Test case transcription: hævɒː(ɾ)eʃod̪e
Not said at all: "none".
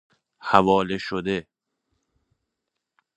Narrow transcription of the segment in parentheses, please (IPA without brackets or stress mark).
l